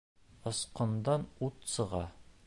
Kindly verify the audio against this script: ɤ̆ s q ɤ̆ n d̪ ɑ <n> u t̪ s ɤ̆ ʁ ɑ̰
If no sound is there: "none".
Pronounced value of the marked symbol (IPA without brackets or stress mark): n